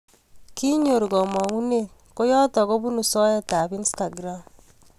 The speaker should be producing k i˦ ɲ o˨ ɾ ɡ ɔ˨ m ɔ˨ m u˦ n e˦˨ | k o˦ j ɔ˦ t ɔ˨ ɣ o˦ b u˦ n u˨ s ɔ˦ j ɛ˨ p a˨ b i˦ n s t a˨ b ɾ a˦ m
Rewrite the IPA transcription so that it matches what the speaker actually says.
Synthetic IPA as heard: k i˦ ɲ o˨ ɾ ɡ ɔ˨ m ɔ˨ ŋ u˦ n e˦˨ | k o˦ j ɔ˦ t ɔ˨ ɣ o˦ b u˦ n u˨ s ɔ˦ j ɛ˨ t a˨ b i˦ n s t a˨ ɡ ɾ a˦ m